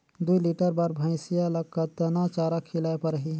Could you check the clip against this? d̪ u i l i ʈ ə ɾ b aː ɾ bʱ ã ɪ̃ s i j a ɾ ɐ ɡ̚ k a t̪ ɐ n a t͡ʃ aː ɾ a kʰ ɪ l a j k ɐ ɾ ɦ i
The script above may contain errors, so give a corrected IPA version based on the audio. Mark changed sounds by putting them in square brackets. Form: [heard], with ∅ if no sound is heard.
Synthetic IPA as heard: d̪ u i l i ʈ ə ɾ b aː ɾ bʱ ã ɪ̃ s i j a [l] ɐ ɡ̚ k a t̪ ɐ n a t͡ʃ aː ɾ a kʰ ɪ l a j [p] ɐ ɾ ɦ i